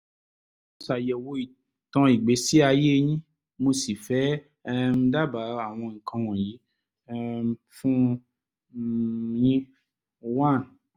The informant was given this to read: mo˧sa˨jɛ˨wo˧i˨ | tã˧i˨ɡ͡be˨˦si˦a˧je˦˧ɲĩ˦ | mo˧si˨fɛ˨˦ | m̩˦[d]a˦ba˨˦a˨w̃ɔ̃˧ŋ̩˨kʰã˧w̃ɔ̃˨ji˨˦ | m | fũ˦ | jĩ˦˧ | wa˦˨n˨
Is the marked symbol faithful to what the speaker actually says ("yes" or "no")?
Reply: yes